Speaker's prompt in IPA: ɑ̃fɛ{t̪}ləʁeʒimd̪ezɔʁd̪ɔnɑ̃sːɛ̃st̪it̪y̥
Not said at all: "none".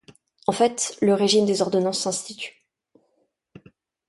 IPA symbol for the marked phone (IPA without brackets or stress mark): t̪